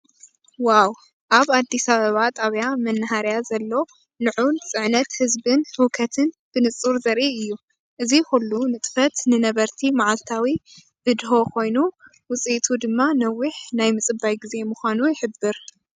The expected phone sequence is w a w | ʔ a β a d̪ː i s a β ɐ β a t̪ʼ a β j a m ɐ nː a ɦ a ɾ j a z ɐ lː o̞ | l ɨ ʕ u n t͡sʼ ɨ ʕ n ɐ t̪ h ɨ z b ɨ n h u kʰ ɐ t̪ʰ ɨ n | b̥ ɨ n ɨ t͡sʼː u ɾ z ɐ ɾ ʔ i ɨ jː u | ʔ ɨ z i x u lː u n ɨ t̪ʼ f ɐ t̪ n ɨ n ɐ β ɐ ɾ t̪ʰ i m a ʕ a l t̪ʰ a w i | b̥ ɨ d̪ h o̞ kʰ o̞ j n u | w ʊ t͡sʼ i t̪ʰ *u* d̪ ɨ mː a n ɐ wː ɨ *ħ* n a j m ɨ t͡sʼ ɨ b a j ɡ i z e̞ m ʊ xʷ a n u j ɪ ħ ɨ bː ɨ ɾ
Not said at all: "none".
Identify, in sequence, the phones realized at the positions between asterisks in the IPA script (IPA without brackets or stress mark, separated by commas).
u, ħ